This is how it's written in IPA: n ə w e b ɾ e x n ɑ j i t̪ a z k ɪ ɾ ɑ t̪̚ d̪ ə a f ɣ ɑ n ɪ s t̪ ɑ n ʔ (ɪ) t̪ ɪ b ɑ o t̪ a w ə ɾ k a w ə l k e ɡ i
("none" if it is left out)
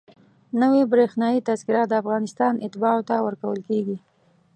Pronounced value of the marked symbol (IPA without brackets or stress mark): ɪ